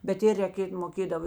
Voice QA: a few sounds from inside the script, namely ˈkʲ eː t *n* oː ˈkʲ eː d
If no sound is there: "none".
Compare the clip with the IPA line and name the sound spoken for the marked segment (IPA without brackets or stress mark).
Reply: m